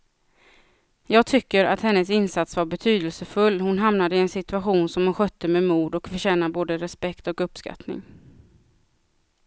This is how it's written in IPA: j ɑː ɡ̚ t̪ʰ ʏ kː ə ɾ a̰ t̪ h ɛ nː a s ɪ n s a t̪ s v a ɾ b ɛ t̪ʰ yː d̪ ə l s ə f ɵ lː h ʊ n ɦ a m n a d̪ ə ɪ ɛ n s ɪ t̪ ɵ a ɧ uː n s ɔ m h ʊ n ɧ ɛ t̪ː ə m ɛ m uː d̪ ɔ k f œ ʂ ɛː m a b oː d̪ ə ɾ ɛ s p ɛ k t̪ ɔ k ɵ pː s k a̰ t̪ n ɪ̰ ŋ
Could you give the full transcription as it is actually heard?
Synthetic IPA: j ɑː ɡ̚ t̪ʰ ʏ kː ə ɾ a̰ t̪ h ɛ nː ə s ɪ n s a t̪ s v a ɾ b ɛ t̪ʰ yː d̪ ə l s ə f ɵ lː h ʊ n ɦ a m n a d̪ ə ɪ ɛ n s ɪ t̪ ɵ a ɧ uː n s ɔ m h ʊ n ɧ œ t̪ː ə m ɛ m uː d̪ ɔ k f œ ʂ ɛː n a b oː d̪ ə ɾ ɛ s p ɛ k t̪ ɔ k ɵ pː s k a̰ t̪ n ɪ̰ ŋ